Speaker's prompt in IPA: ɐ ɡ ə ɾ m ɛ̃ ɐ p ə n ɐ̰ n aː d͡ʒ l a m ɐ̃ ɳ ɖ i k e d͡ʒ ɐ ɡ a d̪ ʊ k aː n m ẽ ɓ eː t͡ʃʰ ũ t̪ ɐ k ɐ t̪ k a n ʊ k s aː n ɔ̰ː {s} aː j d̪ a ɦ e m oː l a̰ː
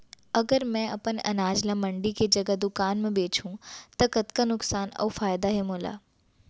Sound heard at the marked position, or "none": f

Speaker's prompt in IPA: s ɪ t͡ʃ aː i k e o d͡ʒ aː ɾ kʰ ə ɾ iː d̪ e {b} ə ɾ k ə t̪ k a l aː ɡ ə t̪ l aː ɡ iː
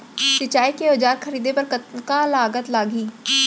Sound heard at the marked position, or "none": p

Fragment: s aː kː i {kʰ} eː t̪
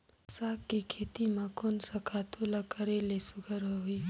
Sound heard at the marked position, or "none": kʰ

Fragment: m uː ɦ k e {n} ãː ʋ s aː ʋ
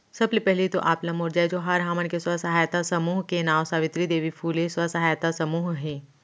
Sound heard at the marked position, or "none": n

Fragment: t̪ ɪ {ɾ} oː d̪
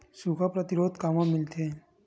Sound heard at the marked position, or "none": ɾ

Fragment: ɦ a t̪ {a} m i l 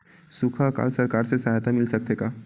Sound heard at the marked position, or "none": a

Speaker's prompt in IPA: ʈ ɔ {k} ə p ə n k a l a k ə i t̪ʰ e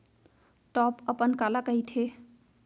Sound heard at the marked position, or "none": p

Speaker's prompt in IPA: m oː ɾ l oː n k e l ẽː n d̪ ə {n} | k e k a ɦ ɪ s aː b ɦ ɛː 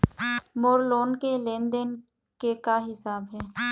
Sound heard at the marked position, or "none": n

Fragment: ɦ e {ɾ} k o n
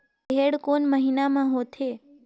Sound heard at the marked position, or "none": ɽ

